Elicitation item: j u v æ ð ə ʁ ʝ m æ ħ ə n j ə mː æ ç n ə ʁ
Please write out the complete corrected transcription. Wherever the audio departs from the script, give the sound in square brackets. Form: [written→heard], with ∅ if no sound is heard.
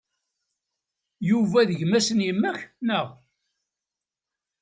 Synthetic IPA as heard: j u v æ ð ə [ʁ→∅] ʝ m æ [ħ→s] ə n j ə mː æ ç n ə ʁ